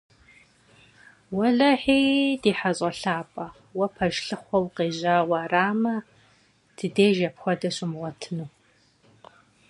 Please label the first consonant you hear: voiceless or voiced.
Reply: voiced